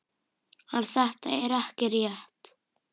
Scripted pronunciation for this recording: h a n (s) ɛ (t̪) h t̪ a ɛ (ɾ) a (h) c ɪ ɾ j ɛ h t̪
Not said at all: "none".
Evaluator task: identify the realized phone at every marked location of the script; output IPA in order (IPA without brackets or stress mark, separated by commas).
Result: θ, none, ɾ, h